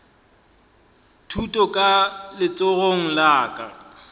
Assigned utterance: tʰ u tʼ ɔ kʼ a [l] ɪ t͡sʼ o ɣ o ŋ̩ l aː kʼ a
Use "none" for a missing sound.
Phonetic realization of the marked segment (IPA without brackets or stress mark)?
l